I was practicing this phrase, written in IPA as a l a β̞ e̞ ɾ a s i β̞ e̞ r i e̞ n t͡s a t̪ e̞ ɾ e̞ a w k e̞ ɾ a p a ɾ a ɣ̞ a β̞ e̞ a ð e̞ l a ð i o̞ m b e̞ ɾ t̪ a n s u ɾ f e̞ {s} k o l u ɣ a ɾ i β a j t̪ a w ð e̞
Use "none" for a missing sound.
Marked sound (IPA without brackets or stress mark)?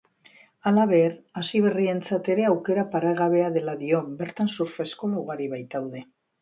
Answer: s